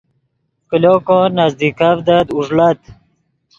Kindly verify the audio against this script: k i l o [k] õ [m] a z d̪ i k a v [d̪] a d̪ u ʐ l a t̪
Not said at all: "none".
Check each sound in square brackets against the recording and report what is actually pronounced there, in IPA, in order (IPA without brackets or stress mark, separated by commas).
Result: k, n, d̪